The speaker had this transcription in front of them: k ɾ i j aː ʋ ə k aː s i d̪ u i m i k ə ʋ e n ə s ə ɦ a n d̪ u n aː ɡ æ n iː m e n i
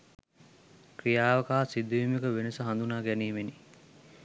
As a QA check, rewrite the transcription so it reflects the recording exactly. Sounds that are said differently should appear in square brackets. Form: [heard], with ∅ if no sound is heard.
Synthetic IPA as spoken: k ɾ i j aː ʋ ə k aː s i d̪ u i m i k ə ʋ e n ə s ə ɦ a n d̪ u n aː ɡ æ n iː m e n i